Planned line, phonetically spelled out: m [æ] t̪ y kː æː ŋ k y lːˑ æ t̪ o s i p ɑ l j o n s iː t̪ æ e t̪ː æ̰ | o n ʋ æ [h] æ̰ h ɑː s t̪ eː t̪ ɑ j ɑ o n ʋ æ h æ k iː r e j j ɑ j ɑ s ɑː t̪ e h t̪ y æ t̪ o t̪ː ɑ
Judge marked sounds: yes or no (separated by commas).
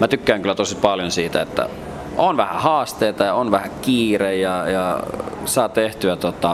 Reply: yes, yes